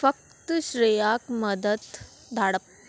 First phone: f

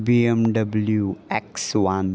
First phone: b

